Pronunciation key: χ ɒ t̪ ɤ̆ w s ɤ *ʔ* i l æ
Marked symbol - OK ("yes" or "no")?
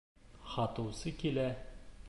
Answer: no